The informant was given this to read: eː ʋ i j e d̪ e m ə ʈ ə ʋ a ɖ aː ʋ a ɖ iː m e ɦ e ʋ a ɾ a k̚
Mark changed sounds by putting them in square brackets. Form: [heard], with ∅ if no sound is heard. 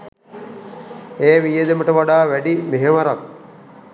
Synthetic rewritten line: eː ʋ i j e d̪ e m ə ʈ ə ʋ a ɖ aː ʋ [æ] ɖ [i] m e ɦ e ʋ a ɾ a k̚